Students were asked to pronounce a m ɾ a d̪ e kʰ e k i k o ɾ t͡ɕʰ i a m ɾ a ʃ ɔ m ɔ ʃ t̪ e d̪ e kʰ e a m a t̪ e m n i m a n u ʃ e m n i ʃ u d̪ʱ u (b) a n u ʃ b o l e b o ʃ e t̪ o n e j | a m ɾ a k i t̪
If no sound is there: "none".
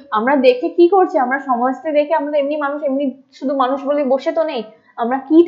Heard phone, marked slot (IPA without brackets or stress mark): m